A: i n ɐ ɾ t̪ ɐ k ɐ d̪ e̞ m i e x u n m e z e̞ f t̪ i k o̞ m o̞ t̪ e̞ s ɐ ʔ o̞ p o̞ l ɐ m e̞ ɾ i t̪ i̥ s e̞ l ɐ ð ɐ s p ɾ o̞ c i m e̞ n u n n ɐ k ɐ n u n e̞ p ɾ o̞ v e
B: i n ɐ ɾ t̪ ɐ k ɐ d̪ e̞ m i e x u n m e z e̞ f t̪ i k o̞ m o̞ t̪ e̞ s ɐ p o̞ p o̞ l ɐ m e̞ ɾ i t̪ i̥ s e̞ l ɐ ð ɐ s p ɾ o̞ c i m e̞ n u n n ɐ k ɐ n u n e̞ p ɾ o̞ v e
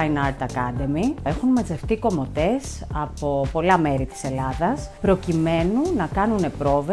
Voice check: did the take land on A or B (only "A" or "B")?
B